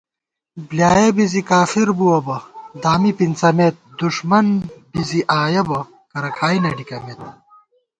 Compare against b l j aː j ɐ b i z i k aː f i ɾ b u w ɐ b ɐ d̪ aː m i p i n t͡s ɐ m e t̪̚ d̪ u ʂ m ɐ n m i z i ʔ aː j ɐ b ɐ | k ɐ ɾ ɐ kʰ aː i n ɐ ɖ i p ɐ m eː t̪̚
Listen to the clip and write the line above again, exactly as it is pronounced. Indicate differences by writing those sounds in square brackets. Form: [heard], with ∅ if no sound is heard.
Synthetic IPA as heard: b l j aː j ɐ b i z i k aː f i ɾ b u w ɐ b ɐ d̪ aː m i p i n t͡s ɐ m e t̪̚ d̪ u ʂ m ɐ n [b] i z i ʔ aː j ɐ b ɐ | k ɐ ɾ ɐ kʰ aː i n ɐ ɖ i [k] ɐ m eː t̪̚